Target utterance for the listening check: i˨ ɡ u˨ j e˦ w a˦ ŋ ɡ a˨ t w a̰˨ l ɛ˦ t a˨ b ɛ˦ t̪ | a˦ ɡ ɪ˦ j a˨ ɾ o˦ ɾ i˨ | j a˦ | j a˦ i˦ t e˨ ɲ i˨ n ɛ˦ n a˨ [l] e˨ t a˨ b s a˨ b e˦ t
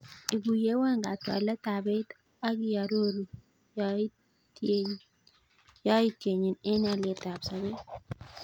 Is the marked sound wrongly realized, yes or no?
no